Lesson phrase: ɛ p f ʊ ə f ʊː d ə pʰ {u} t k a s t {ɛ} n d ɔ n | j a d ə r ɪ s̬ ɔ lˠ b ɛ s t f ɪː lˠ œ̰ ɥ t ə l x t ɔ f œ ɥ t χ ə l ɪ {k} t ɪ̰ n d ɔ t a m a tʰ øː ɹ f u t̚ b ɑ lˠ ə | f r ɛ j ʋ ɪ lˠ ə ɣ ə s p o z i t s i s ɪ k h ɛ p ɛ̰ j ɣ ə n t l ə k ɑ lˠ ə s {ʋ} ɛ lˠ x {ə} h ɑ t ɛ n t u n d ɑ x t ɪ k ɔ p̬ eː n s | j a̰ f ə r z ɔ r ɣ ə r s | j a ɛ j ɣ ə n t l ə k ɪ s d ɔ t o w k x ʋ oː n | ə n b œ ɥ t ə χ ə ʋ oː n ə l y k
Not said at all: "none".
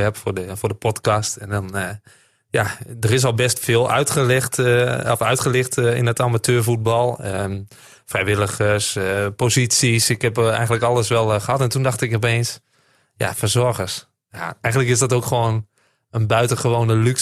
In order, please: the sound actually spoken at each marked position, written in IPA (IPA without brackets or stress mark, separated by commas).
ɔ, ɛ, x, ʋ, ə